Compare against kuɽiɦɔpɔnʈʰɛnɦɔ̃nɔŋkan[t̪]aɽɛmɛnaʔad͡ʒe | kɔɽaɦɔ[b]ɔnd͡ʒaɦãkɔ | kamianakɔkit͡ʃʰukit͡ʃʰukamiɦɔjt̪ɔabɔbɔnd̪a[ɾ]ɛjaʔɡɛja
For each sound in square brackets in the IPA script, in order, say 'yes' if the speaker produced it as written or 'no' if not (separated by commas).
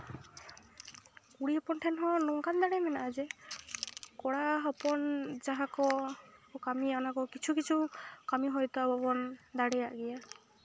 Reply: no, no, no